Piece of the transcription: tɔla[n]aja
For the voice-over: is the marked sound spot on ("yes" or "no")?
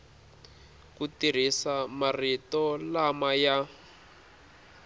no